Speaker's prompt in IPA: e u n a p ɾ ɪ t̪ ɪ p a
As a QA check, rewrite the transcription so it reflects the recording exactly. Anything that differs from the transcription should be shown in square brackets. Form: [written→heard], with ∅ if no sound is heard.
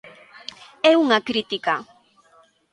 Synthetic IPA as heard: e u [n→ŋ] a [p→k] ɾ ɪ t̪ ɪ [p→k] a